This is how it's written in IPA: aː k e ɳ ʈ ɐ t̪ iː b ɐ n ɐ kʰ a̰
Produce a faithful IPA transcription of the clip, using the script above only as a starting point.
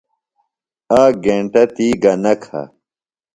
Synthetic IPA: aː ɡ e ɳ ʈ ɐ t̪ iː ɡ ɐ n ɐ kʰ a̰